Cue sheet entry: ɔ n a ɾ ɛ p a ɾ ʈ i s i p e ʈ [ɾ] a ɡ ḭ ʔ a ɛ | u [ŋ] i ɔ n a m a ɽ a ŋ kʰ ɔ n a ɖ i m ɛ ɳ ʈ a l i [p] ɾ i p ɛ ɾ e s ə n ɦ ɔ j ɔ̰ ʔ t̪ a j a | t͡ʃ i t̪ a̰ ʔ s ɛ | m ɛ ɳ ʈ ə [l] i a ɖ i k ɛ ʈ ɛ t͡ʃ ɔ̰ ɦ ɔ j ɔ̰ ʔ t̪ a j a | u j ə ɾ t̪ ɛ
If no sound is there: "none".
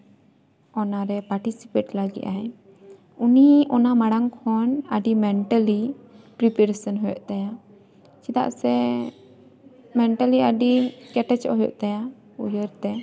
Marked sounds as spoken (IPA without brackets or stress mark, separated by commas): l, n, p, l